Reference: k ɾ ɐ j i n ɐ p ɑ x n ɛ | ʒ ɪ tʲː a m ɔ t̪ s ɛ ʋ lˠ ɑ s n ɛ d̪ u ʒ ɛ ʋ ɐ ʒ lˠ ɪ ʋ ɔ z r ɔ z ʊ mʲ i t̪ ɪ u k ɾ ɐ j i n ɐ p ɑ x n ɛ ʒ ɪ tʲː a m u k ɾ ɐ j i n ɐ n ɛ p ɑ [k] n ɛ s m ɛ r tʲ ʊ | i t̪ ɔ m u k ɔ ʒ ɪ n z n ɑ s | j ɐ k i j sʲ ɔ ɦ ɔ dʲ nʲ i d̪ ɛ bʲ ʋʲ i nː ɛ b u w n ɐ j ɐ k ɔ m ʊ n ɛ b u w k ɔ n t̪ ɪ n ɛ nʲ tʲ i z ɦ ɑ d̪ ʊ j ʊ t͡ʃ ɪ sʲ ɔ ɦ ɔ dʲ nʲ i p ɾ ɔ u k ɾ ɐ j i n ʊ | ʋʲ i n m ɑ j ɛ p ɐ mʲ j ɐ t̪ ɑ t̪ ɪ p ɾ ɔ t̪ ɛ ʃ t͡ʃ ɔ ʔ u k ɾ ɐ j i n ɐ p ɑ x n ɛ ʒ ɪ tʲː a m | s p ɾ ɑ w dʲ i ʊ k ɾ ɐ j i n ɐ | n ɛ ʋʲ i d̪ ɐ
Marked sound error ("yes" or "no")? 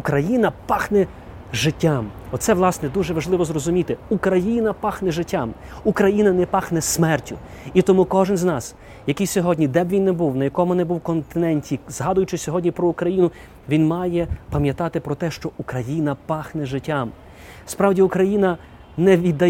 yes